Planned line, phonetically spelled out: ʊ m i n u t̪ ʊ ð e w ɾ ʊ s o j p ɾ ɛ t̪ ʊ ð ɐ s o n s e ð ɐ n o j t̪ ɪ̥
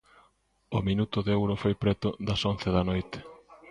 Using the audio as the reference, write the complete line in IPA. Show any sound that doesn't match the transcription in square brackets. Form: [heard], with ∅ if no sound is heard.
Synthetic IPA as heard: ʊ m i n u t̪ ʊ ð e w ɾ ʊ [f] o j p ɾ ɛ t̪ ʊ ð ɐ s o n [θ] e ð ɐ n o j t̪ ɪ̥

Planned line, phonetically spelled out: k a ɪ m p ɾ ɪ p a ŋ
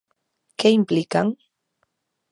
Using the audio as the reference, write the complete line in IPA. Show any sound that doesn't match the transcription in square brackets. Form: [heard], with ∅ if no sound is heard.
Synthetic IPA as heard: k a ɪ m p [l] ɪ [k] a ŋ

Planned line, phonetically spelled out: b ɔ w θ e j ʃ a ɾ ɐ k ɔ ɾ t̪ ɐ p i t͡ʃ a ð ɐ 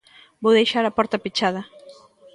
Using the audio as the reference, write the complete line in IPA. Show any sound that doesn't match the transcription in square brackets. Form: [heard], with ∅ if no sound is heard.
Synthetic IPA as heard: b [o] w [ð] e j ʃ a ɾ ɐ [p] ɔ ɾ t̪ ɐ p i t͡ʃ a ð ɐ

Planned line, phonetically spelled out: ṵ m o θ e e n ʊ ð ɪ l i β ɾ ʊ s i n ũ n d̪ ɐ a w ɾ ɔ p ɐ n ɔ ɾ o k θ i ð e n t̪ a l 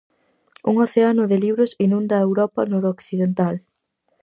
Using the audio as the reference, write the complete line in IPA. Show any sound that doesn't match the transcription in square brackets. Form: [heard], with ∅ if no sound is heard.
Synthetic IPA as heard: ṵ [ŋ] o θ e [a] n ʊ ð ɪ l i β ɾ ʊ s i n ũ n d̪ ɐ [e] w ɾ ɔ p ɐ n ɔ ɾ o k θ i ð e n t̪ a l

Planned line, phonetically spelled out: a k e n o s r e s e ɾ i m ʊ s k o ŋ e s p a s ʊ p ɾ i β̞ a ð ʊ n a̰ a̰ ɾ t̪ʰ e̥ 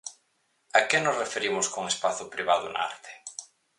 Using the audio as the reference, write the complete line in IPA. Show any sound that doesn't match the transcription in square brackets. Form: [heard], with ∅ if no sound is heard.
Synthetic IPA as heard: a k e n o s r e [f] e ɾ i m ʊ s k o ŋ e s p a [θ] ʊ p ɾ i β̞ a ð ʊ n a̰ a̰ ɾ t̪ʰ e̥

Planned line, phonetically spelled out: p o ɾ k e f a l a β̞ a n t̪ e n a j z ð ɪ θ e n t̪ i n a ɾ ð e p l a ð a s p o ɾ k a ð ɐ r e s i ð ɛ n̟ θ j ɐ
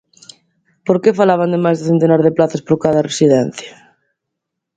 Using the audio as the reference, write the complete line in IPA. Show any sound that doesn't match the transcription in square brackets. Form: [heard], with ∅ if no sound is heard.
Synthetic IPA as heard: p o ɾ k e f a l a β̞ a n [d̪] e [m] a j z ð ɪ θ e n t̪ [e] n a ɾ ð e p l a [θ] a s p o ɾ k a ð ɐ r e s i ð ɛ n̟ θ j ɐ

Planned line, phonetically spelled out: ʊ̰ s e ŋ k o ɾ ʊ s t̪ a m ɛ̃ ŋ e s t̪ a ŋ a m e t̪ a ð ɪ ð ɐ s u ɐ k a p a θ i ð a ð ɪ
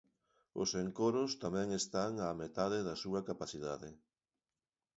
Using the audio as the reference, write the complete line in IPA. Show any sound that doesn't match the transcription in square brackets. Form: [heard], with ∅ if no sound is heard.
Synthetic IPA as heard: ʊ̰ s e ŋ k o ɾ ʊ s t̪ a m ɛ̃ ŋ e s t̪ a ŋ a m e t̪ a ð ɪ ð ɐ s u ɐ k a p a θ i ð a ð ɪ

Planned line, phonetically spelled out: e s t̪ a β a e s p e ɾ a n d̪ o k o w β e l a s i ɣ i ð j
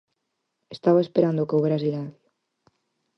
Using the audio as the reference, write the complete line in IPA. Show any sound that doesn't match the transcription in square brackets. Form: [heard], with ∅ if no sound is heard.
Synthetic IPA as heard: e s t̪ a β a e s p e ɾ a n d̪ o k o w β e [ɾ] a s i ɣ [a] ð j

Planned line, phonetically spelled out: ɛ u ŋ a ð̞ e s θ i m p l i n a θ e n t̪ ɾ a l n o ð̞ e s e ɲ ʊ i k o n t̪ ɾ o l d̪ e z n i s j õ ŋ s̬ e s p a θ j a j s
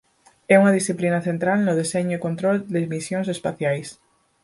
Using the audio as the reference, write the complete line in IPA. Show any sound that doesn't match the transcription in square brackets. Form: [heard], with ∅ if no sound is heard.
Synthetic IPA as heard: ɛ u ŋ a ð̞ [i] s θ i [∅] p l i n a θ e n t̪ ɾ a l n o ð̞ e s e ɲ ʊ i k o n t̪ ɾ o l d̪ e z [m] i s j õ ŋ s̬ e s p a θ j a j s

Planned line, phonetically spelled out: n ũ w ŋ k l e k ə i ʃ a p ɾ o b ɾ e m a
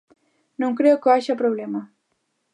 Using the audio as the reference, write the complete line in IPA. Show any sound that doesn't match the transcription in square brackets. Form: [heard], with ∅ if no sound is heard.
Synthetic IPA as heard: n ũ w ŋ k [ɾ] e k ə [a] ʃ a p ɾ o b [l] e m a

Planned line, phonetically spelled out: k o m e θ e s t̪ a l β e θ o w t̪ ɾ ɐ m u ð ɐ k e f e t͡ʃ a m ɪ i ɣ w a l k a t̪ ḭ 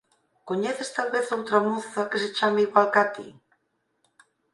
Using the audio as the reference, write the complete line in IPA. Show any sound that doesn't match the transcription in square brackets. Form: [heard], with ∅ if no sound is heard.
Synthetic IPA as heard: k o [ɲ] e θ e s t̪ a l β e θ o w t̪ ɾ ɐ m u [θ] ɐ k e [s] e t͡ʃ a m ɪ i ɣ w a l k a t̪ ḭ

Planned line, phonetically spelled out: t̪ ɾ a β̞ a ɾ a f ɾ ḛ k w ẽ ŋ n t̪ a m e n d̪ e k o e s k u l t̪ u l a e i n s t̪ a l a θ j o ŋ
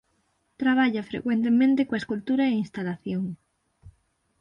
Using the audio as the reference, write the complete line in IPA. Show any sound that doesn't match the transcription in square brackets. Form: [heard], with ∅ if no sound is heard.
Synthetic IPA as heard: t̪ ɾ a β̞ a [ʎ] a f ɾ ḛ k w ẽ [∅] n t̪ [e] m [ẽ] n [t̪] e k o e s k u l t̪ u [ɾ] a e i n s t̪ a l a θ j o ŋ

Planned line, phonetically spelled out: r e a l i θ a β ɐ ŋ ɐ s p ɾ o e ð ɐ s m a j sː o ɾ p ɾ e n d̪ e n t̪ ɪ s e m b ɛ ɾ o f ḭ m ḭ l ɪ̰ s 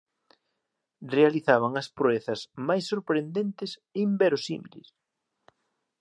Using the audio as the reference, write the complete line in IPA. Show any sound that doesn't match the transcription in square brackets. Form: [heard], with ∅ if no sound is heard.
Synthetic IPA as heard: r e a l i θ a β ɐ ŋ ɐ s p ɾ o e [θ] ɐ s m a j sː o ɾ p ɾ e n d̪ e n t̪ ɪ s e m b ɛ ɾ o [s] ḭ m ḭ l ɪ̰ s

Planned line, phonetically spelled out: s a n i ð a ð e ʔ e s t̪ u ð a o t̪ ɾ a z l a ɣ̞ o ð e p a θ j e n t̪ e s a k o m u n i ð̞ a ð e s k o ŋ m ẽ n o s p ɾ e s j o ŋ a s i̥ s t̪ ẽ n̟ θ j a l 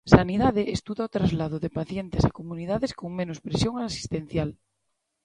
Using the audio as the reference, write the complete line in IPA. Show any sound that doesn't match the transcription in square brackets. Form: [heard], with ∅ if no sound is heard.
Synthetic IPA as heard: s a n i ð a ð e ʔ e s t̪ u ð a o t̪ ɾ a z l a [ð̞] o ð e p a θ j e n t̪ e s a k o m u n i ð̞ a ð e s k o ŋ m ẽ n o s p ɾ e s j o ŋ a s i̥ s t̪ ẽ n̟ θ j a l

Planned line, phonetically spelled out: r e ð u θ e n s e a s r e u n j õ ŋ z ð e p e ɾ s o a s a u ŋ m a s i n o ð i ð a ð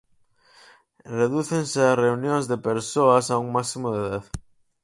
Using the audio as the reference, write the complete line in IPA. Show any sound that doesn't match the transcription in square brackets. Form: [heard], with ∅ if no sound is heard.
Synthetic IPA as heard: r e ð u θ e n s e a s r e u n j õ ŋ z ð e p e ɾ s o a s a u ŋ m a s i [m] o ð [e] ð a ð

